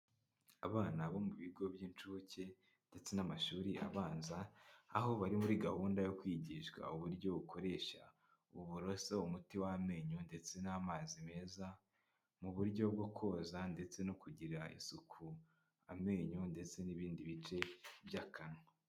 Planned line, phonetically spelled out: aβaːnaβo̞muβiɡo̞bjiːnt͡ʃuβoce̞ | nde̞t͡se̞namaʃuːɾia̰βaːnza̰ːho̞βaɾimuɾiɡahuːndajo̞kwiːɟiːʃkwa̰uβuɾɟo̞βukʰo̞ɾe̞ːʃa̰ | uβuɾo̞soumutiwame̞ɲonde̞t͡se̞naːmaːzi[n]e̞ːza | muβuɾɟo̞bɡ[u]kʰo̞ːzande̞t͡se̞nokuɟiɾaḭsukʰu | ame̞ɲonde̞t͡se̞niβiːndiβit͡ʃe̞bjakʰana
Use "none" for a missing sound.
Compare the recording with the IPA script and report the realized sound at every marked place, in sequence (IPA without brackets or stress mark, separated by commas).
m, o